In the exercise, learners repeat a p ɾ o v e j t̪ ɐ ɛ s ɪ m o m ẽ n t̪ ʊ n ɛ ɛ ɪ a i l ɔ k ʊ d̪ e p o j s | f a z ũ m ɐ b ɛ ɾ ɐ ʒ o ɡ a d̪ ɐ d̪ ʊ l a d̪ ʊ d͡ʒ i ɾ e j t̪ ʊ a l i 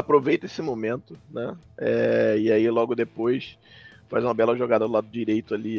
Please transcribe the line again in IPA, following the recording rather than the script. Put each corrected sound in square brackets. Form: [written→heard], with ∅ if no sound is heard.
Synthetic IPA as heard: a p ɾ o v e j t̪ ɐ [ɛ→e] s ɪ m o m ẽ n t̪ ʊ n ɛ ɛ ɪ a i l ɔ [k→ɡ] ʊ d̪ e p o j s | f a z ũ m ɐ b ɛ [ɾ→l] ɐ ʒ o ɡ a d̪ ɐ d̪ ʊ l a d̪ ʊ d͡ʒ i ɾ e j t̪ ʊ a l i